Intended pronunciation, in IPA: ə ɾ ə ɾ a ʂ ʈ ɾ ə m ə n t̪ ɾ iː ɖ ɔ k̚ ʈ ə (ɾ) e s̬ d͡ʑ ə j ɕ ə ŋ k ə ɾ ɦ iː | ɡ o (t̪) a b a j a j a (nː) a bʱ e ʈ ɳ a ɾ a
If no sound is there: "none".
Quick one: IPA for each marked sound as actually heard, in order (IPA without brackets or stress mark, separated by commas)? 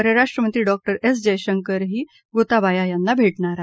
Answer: ɾ, t̪, nː